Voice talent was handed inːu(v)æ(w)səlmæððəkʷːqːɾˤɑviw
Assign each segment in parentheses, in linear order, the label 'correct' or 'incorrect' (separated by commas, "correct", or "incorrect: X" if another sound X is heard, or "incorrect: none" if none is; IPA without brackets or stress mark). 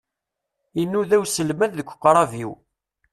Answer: incorrect: ð, correct